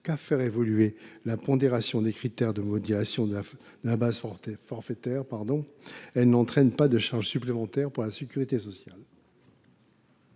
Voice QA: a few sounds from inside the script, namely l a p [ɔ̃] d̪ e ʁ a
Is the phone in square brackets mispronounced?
no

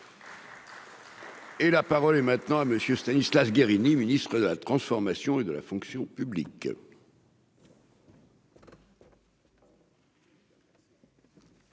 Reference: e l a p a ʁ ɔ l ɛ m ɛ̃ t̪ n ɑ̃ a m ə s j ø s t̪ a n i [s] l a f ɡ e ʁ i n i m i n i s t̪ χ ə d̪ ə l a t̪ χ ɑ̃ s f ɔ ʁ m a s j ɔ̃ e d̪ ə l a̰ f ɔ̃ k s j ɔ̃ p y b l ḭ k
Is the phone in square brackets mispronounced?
no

